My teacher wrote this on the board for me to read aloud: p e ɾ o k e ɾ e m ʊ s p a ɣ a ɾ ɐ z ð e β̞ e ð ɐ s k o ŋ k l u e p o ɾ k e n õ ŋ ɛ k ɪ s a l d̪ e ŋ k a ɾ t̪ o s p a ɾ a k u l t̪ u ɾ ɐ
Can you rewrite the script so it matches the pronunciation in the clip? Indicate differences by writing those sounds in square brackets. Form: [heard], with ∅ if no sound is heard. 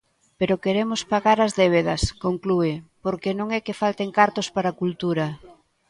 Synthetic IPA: p e ɾ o k e ɾ e m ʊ s p a ɣ a ɾ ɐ z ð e β̞ e ð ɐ s k o ŋ k l u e p o ɾ k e n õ ŋ ɛ k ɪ [f] a l [t̪] e ŋ k a ɾ t̪ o s p a ɾ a k u l t̪ u ɾ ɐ